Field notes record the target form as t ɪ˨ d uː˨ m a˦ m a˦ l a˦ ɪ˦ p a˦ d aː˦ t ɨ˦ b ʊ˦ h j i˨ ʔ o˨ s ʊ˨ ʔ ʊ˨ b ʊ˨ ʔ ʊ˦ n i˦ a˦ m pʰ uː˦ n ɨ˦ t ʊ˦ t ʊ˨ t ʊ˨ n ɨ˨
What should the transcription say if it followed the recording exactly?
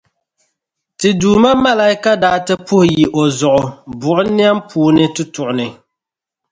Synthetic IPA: t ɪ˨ d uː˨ m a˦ m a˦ l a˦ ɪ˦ k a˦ d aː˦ t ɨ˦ p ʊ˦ h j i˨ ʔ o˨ z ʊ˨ ʔ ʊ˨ b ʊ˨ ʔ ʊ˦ n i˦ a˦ m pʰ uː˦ n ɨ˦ t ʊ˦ t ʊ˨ ʔ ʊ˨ n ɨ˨